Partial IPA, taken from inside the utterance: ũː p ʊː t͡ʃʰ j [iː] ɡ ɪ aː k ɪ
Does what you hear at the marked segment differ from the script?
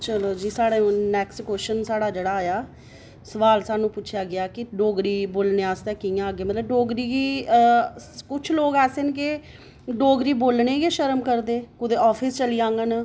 yes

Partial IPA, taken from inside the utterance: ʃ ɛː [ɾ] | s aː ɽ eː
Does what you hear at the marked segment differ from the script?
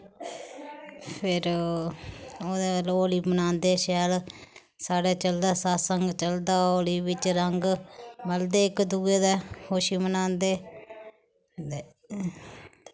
yes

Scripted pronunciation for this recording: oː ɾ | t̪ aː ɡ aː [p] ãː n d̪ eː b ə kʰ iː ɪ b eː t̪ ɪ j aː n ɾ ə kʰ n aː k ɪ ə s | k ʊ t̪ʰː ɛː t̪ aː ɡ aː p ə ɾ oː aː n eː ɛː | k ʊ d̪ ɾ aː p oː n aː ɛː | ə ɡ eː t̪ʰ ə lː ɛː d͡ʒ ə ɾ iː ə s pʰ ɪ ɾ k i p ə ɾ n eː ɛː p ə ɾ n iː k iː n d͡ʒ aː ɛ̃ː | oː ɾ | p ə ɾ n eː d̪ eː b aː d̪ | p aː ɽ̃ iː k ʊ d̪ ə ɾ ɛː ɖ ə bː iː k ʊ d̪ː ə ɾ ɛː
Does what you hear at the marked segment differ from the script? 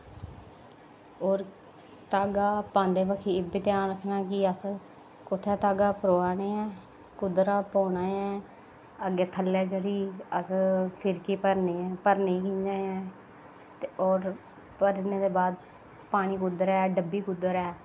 no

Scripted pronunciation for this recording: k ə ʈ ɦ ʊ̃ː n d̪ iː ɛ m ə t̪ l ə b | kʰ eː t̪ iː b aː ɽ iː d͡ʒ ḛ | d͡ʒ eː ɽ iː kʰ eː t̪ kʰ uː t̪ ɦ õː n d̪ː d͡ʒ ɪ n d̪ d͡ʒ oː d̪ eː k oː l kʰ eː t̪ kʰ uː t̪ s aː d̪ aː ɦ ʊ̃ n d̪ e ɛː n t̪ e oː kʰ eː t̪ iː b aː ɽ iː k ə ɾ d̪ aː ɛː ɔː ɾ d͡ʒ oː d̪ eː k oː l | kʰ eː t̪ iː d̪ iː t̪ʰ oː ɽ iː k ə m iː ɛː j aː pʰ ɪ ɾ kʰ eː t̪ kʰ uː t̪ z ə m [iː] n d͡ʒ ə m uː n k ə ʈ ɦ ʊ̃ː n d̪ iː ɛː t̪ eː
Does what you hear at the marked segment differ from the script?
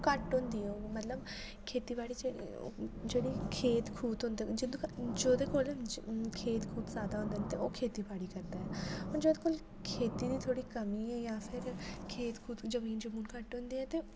no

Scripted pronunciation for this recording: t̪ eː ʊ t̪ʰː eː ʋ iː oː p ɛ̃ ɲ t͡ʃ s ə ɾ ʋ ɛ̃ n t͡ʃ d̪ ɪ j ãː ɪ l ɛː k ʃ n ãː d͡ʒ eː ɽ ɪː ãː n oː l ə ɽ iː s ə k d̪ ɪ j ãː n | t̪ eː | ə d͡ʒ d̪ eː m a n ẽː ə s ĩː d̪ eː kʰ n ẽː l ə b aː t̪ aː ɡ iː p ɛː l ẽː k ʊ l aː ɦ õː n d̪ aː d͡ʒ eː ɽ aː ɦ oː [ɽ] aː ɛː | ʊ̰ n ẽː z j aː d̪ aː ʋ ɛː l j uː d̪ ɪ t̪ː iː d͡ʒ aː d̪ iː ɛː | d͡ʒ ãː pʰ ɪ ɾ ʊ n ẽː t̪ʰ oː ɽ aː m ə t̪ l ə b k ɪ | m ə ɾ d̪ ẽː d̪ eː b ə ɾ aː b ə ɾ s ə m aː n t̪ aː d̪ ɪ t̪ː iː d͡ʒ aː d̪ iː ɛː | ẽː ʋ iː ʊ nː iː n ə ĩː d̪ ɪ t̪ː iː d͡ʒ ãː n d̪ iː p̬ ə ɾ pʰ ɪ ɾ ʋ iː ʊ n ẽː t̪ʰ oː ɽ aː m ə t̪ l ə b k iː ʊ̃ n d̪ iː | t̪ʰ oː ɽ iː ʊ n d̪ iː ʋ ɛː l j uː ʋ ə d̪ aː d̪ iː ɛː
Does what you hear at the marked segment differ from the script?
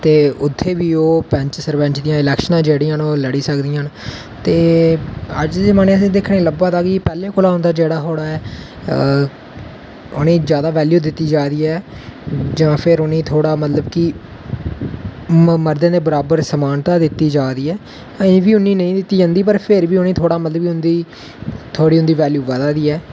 no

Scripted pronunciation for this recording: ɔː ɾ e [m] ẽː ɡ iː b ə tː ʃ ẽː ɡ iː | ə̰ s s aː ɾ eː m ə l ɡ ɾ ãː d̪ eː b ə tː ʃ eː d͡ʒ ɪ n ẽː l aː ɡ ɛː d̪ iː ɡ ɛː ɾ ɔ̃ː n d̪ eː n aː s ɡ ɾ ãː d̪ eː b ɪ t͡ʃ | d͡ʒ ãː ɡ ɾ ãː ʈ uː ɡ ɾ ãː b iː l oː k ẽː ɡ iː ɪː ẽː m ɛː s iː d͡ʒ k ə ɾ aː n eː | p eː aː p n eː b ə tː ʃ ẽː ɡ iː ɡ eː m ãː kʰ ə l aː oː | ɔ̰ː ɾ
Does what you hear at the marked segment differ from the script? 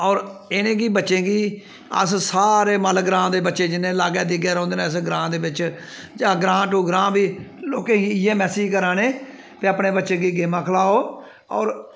yes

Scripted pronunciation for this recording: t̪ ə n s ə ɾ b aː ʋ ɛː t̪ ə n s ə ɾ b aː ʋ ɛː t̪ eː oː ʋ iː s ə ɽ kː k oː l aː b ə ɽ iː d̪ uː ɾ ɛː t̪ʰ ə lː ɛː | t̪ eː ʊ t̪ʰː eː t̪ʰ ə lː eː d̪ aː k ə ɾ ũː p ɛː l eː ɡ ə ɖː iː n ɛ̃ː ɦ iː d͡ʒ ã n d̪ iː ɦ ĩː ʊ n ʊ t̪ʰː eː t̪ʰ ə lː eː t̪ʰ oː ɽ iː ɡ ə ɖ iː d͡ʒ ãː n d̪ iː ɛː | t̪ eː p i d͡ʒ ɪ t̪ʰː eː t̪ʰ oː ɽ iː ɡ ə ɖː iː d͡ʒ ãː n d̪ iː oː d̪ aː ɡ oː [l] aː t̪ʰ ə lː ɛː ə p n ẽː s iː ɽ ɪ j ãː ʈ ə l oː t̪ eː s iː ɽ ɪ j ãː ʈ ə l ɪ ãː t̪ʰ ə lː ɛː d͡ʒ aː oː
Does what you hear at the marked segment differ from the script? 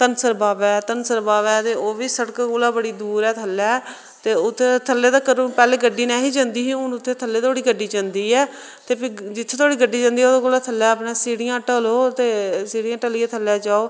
no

